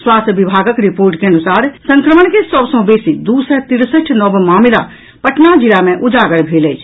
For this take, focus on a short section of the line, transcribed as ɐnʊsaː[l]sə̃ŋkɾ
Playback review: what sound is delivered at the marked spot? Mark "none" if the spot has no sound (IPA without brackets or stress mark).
ɾ